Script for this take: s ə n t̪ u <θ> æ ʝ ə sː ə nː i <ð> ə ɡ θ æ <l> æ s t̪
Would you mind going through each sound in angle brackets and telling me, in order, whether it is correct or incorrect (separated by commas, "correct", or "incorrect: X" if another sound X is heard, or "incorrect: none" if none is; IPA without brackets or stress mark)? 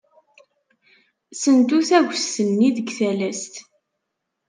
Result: correct, correct, correct